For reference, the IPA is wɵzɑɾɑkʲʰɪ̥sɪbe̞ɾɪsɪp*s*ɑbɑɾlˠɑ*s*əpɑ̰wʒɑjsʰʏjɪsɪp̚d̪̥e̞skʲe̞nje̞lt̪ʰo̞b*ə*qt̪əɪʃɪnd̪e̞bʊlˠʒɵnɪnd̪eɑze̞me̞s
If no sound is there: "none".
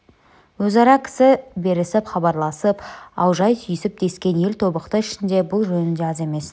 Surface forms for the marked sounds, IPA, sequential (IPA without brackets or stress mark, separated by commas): χ, s, ə